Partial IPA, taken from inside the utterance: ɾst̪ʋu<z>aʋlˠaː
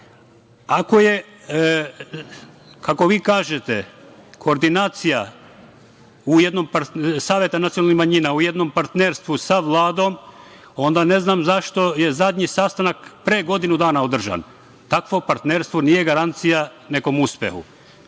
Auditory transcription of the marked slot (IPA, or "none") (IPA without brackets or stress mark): s